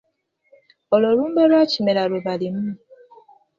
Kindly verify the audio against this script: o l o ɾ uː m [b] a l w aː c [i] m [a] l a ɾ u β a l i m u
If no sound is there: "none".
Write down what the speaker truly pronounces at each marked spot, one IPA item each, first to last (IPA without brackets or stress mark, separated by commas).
b, i, e